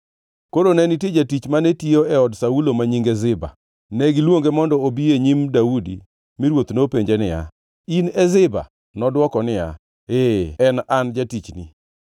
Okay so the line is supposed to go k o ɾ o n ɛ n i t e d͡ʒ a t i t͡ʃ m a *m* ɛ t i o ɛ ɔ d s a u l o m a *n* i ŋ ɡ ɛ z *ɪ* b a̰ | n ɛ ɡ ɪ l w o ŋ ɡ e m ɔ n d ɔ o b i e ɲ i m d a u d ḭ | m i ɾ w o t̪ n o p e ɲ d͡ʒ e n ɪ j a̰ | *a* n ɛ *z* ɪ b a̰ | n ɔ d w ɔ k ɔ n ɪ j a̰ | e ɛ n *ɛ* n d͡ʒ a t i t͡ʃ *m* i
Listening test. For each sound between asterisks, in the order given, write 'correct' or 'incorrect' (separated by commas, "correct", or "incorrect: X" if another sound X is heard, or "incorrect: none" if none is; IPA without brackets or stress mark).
incorrect: n, incorrect: ɲ, correct, incorrect: i, correct, incorrect: a, incorrect: n